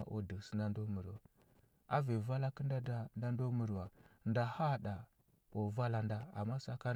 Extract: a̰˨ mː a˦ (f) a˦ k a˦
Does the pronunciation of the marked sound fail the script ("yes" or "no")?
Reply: yes